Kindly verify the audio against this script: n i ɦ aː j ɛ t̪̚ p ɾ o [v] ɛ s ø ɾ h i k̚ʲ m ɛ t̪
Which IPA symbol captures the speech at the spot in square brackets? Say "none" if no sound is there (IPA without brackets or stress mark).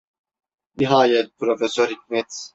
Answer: f